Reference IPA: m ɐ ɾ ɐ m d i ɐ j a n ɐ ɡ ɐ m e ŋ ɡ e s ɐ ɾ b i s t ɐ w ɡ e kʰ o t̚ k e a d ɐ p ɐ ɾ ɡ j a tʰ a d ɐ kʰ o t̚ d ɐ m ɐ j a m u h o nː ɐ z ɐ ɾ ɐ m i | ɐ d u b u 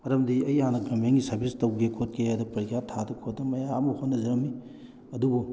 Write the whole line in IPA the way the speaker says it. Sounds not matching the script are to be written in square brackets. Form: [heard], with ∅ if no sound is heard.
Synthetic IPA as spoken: m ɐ ɾ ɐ m d i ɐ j a n ɐ ɡ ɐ m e ŋ ɡ [i] s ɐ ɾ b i s t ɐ w ɡ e kʰ o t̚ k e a d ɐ p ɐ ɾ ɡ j a tʰ a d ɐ kʰ o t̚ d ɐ m ɐ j a m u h o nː ɐ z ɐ ɾ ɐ m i | ɐ d u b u